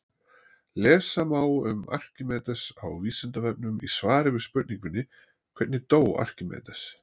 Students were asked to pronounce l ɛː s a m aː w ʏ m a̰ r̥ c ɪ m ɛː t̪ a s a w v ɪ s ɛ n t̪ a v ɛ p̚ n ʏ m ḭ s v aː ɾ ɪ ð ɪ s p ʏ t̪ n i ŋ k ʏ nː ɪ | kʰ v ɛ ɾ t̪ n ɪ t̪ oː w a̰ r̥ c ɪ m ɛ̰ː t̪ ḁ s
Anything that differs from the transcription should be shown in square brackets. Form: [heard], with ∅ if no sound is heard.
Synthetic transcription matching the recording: l ɛː s a m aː w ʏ m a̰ r̥ c ɪ m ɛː t̪ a s a w v [i] s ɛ n t̪ a v ɛ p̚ n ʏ m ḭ s v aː ɾ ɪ [v] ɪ s p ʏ t̪ n i ŋ k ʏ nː ɪ | kʰ v ɛ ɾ t̪ n ɪ t̪ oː w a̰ r̥ c ɪ m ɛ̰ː t̪ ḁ s